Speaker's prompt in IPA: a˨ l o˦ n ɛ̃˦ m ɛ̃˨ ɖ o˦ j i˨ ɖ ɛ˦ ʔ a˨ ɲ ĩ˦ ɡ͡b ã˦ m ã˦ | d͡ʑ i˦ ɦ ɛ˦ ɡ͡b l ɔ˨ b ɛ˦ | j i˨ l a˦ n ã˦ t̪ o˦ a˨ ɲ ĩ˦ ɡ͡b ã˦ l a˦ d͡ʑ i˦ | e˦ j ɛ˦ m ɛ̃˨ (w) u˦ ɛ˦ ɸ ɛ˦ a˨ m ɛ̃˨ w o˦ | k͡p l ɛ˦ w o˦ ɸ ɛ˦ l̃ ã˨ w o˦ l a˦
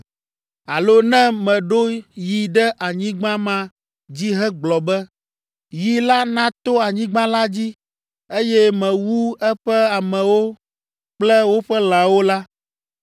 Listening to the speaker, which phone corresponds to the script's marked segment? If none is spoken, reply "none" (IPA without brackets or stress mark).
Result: w